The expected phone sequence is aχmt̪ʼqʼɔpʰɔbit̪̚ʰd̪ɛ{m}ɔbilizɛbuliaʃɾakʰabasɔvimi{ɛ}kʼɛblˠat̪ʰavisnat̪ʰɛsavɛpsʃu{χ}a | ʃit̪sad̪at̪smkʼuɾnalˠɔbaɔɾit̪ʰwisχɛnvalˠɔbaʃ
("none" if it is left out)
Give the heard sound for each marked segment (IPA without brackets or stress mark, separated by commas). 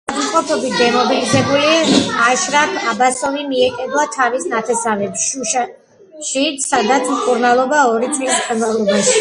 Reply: m, ɛ, ʃ